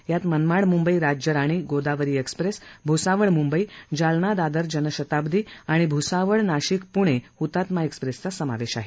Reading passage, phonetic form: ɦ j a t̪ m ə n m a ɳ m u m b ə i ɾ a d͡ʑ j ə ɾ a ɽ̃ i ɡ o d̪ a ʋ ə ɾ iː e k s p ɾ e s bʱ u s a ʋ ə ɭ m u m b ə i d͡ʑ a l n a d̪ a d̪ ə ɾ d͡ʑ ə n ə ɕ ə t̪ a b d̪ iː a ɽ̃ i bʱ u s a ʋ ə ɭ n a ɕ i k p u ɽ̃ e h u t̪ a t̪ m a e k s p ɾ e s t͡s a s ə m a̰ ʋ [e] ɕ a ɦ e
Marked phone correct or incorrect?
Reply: correct